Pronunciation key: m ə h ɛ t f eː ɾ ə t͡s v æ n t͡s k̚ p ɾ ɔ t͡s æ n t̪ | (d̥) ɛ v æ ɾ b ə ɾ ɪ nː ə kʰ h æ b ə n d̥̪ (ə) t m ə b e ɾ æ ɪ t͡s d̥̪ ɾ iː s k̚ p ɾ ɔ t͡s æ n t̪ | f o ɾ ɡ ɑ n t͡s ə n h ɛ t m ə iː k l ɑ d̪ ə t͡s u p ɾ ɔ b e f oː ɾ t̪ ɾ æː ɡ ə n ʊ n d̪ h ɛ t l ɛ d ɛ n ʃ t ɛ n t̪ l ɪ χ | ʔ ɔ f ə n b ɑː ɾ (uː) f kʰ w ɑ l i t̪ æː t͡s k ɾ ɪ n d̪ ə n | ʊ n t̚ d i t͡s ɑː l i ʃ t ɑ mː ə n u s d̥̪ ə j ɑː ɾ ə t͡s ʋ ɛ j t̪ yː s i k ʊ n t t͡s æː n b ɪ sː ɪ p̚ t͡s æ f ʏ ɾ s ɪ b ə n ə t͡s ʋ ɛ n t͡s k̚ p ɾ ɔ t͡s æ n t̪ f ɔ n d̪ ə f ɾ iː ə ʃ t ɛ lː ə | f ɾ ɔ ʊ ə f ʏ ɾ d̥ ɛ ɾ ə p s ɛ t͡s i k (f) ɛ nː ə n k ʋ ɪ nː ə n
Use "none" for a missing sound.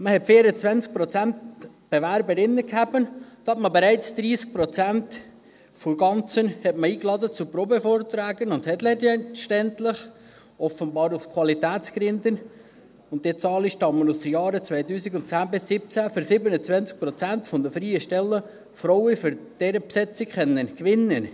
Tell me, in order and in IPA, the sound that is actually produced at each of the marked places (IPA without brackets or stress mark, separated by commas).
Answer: b̥, ɑ, u, χ